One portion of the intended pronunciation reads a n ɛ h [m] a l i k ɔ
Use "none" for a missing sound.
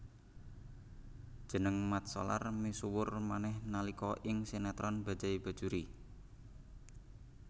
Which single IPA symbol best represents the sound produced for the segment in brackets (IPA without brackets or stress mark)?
n